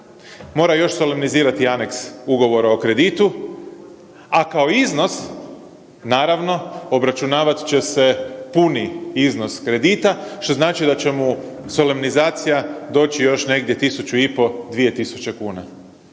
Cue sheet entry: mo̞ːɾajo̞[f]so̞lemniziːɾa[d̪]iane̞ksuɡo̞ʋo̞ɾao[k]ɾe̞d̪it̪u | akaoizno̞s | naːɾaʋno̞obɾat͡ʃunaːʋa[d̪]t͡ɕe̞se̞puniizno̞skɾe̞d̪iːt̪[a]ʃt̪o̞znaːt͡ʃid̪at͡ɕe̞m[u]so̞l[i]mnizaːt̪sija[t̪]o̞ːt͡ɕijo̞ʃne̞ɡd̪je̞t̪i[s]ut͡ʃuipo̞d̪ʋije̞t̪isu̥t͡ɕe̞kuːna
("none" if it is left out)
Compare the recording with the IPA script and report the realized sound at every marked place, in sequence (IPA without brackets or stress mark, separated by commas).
ʃ, t̪, k, t̪, a, u, e, d̪, s